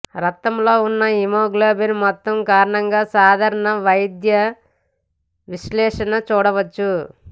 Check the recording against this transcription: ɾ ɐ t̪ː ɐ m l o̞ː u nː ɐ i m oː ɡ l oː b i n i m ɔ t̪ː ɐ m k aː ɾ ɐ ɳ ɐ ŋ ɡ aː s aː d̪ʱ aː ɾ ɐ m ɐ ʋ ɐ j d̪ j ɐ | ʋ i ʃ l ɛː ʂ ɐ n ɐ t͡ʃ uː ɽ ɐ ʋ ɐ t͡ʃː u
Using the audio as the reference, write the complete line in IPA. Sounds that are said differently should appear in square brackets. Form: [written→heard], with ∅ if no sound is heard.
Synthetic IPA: ɾ ɐ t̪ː ɐ m l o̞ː u nː ɐ i m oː ɡ l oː b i n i m ɔ t̪ː ɐ m k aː ɾ ɐ ɳ ɐ ŋ ɡ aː s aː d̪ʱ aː ɾ ɐ [m→ɳ] ɐ ʋ ɐ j d̪ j ɐ | ʋ i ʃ l ɛː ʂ ɐ n ɐ t͡ʃ uː ɽ ɐ ʋ ɐ t͡ʃː u